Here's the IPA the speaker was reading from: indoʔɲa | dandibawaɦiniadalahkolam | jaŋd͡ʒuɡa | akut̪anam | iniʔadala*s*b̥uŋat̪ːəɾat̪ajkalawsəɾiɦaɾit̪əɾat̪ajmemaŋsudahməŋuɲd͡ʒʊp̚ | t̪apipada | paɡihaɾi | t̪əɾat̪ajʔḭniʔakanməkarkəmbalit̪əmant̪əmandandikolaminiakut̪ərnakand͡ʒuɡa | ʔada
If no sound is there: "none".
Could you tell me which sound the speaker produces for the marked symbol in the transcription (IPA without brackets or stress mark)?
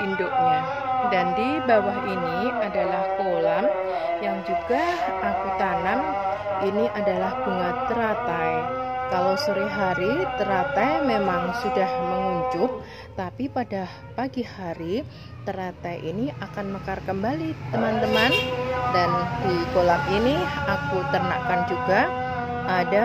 h